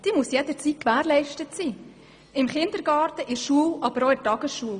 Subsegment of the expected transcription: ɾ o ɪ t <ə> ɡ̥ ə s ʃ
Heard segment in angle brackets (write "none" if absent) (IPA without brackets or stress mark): ɑ